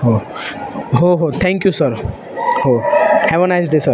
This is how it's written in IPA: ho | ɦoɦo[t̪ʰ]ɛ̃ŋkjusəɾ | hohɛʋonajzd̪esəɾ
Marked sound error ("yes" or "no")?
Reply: no